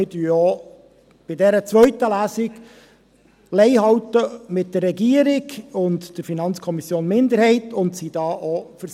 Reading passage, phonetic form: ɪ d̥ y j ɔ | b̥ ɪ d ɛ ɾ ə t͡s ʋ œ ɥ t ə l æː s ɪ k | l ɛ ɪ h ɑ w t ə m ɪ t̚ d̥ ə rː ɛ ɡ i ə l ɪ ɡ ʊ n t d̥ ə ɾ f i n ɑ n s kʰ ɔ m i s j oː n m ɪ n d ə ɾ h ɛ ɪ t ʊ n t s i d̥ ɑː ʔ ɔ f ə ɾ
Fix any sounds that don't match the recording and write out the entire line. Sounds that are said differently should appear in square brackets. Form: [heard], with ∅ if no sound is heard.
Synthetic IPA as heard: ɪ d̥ y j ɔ | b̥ ɪ d ɛ ɾ ə t͡s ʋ œ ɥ t ə l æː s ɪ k | l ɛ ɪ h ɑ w t ə m ɪ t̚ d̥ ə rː ɛ ɡ i ə [ɾ] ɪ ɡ ʊ n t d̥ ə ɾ f i n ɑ n [t͡s] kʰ ɔ m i s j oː n m ɪ n d ə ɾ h ɛ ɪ t ʊ n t s i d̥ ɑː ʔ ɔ f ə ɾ